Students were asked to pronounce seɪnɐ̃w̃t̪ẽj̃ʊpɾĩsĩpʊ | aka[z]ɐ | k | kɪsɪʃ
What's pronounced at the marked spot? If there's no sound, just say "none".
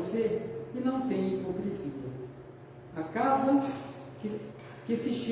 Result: z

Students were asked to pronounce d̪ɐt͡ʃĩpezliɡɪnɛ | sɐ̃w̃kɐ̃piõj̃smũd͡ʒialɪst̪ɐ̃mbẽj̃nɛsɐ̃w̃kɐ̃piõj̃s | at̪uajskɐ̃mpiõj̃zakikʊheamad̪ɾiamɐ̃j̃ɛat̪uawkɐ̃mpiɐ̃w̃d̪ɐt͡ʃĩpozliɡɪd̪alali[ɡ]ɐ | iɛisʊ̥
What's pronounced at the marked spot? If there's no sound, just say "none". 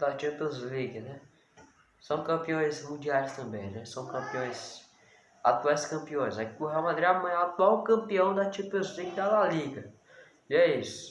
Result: ɡ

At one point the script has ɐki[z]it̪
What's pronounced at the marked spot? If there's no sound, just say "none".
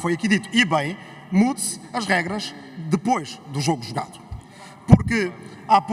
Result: ð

